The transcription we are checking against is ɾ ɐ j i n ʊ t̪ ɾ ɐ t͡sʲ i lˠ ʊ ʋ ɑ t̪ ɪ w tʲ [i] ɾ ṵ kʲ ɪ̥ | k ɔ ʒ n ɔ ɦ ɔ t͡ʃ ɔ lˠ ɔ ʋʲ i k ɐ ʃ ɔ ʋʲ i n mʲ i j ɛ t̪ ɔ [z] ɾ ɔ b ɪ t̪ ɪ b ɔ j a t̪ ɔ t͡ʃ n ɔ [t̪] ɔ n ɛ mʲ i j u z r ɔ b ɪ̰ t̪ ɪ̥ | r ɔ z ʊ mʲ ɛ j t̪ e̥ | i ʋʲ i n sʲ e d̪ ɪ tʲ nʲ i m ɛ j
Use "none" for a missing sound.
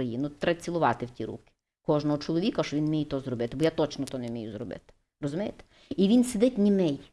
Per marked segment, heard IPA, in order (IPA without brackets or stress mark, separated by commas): i, z, t̪